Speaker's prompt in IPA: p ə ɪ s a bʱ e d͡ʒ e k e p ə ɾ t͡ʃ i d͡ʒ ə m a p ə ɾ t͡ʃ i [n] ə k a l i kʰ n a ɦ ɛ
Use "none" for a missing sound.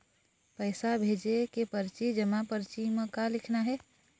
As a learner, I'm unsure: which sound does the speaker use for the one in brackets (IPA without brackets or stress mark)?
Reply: m